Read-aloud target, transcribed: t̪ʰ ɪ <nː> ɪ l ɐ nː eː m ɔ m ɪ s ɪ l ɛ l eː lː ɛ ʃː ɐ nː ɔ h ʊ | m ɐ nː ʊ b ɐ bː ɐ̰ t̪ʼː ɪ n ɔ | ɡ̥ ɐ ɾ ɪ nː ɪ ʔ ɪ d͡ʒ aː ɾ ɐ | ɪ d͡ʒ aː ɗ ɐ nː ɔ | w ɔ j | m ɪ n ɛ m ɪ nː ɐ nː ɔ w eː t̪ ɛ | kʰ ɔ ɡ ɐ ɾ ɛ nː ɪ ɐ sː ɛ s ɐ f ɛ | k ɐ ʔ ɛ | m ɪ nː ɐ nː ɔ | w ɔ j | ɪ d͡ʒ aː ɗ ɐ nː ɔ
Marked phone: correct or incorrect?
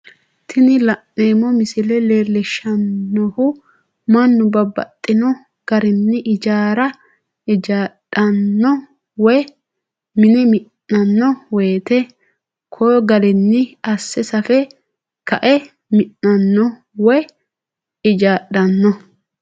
incorrect